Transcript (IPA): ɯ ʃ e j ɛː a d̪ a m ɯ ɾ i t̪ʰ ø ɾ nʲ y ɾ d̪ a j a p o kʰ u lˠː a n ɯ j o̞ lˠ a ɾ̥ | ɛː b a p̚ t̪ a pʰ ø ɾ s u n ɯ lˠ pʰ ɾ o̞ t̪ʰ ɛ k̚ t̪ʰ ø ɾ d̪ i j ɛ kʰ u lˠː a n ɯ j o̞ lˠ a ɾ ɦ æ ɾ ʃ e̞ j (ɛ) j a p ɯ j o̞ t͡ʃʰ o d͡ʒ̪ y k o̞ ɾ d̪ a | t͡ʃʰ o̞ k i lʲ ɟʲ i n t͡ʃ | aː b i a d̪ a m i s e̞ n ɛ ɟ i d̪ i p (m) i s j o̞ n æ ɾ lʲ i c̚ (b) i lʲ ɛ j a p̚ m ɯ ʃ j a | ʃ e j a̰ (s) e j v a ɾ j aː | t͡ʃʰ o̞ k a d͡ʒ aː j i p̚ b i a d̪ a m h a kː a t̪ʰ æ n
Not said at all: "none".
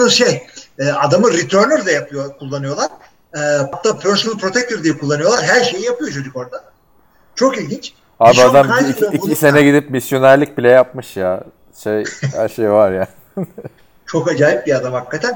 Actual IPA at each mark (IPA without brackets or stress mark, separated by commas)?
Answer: i, m, b, ʃ